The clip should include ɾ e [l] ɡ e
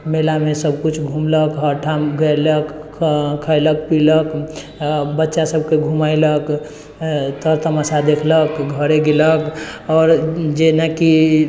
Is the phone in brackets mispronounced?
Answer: yes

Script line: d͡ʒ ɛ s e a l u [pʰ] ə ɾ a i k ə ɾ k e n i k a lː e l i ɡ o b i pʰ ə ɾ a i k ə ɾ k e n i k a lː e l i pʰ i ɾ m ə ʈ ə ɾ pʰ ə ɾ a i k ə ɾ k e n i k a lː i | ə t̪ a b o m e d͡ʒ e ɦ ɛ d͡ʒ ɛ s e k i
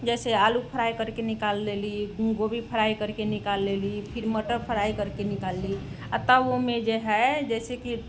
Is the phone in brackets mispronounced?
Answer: no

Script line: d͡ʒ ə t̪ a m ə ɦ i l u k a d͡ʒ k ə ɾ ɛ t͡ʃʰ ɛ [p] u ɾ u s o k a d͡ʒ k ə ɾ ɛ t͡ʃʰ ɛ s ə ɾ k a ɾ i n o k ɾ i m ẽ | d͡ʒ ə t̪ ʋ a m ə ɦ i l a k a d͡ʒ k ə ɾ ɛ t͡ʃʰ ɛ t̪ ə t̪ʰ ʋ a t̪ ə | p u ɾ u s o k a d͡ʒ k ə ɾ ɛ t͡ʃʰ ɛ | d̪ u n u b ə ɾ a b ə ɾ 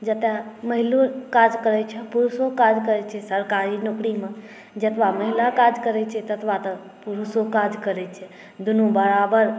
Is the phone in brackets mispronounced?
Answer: no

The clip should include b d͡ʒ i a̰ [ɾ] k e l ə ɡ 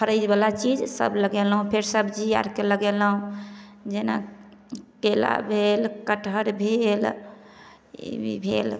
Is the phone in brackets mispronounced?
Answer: no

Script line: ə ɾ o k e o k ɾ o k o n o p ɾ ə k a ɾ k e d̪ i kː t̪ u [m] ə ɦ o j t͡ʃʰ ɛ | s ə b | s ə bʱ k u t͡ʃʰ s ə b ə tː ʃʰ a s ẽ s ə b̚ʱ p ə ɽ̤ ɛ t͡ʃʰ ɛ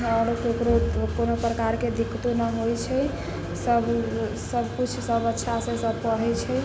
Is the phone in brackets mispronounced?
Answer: yes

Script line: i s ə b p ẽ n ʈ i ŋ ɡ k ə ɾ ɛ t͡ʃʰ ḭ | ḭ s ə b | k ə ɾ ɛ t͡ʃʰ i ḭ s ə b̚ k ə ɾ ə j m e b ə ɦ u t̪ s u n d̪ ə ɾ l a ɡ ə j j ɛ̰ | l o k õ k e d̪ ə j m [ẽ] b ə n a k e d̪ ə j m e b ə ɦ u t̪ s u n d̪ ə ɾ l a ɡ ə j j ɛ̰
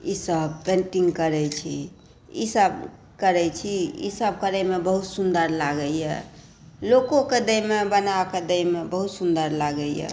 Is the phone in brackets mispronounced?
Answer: yes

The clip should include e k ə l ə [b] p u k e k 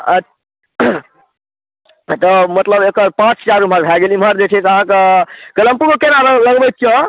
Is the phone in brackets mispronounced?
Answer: yes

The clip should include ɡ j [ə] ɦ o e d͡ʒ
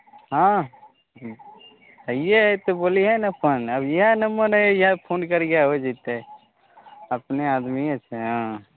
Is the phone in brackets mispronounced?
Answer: yes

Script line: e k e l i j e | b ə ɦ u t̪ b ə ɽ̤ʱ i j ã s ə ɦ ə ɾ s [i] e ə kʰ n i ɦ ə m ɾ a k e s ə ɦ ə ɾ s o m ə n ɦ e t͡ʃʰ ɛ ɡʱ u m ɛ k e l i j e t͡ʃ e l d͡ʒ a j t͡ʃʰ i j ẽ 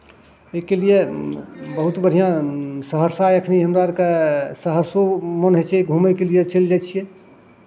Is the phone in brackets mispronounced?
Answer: yes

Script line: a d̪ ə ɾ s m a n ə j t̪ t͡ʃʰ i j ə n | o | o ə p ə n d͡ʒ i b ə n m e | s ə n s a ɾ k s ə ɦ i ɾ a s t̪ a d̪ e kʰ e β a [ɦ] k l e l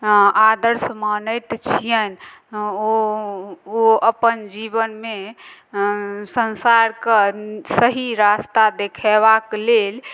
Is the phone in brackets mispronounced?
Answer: yes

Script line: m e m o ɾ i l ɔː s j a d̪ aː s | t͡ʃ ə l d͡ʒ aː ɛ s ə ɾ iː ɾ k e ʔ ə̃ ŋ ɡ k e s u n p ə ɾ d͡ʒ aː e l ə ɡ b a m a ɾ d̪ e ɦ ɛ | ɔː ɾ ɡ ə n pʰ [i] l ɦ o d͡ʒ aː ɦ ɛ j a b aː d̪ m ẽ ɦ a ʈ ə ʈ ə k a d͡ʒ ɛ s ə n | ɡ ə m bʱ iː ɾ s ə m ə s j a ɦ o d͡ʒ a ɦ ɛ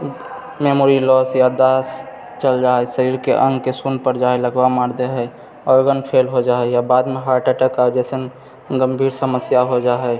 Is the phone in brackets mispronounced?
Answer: yes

